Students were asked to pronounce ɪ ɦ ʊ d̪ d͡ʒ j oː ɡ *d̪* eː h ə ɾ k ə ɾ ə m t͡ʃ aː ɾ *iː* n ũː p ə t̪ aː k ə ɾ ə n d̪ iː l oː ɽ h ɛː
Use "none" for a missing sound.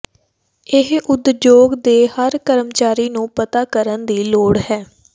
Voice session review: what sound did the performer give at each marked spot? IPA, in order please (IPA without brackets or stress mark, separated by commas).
d̪, iː